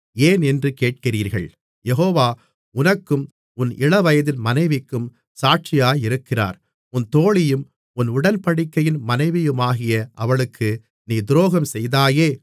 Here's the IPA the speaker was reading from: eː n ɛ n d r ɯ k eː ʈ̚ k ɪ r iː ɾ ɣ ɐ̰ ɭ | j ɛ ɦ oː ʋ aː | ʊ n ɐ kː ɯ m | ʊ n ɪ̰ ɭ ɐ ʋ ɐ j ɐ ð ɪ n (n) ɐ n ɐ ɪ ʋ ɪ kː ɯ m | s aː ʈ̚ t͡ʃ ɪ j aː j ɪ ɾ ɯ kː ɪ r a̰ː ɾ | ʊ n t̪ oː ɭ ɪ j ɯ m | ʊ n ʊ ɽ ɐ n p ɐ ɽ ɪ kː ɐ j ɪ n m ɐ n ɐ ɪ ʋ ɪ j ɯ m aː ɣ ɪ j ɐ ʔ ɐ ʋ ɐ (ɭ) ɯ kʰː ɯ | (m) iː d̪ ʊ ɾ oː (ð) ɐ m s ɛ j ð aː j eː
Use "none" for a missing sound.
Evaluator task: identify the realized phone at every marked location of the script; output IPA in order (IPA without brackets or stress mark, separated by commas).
m, ɭ, n, ɣ